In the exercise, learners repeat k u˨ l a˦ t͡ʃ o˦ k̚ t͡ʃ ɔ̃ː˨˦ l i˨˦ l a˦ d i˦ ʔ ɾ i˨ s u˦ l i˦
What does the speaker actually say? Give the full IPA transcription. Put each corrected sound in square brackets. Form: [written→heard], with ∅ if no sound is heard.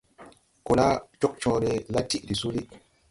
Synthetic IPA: k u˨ l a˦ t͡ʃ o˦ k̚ t͡ʃ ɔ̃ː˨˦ [l→ɾ] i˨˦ l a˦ [d→t] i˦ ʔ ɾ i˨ s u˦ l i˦